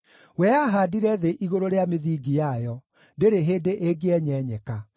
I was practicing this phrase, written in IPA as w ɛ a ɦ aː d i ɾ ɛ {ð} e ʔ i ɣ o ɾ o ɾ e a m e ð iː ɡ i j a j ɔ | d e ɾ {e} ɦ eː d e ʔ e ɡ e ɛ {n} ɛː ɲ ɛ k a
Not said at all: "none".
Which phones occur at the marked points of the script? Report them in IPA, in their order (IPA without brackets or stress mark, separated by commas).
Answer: ð, e, ɲ